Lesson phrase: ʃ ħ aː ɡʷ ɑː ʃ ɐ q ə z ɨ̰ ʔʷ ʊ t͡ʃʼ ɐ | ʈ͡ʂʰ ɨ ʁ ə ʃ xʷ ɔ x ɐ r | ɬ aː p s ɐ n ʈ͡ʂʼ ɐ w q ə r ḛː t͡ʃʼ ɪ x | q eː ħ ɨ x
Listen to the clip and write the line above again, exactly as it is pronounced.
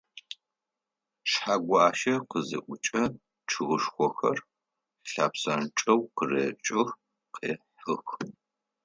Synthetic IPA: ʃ ħ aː ɡʷ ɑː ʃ ɐ q ə z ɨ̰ ʔʷ ʊ t͡ʃʼ ɐ | ʈ͡ʂʰ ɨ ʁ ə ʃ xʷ ɔ x ɐ r | ɬ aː p s ɐ n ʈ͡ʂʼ ɐ w q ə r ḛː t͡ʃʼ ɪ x | q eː ħ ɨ x